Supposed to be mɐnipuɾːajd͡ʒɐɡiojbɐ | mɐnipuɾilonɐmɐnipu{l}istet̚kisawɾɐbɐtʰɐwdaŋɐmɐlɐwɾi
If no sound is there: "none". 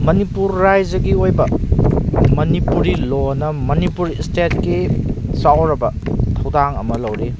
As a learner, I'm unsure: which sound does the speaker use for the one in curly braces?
ɾ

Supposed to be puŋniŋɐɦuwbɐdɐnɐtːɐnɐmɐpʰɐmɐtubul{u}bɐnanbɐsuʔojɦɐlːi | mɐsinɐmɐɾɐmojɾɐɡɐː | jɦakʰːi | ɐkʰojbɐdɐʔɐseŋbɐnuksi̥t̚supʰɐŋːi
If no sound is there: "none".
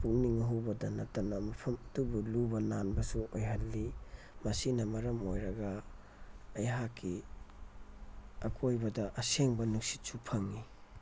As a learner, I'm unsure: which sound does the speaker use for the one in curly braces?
u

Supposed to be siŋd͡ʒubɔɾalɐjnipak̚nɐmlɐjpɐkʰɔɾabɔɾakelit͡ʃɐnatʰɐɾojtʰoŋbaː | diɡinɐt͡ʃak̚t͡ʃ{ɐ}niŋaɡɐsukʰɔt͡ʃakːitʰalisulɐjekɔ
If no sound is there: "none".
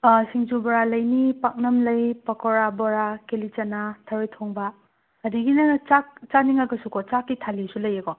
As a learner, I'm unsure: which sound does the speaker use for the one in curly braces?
a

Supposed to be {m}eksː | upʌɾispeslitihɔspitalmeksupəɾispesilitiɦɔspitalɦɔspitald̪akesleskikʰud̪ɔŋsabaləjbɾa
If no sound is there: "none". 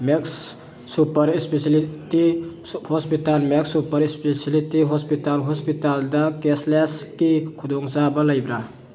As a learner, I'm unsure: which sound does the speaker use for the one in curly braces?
m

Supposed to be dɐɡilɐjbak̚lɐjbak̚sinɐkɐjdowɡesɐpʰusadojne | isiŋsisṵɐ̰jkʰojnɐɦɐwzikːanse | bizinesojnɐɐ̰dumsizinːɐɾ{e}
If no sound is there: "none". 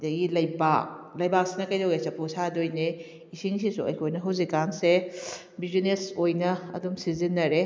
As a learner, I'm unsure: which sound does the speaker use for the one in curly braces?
e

